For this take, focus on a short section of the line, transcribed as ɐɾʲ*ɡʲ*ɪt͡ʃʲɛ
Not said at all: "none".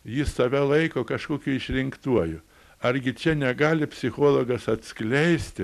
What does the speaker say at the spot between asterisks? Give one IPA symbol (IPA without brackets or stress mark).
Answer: ɡʲ